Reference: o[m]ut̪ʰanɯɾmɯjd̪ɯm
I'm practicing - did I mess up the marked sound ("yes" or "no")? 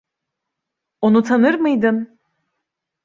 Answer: yes